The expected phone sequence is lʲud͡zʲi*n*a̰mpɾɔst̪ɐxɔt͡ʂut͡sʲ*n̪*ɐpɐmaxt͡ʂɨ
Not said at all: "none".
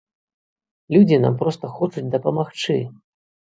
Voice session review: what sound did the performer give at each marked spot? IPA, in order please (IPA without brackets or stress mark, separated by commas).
n, d̪